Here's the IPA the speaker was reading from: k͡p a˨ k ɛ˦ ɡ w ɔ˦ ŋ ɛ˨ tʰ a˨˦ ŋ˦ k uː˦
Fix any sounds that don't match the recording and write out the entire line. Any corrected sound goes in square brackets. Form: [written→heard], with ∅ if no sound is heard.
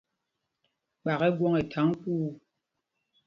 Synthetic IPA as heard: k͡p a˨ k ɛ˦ ɡ w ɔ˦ ŋ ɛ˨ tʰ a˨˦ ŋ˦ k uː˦